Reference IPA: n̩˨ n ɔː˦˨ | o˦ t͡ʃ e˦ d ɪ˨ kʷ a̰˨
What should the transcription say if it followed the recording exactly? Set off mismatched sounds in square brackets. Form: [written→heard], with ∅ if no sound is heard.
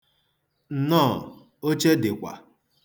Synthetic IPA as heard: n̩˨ n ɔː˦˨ | o˦ t͡ʃ e˦ d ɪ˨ kʷ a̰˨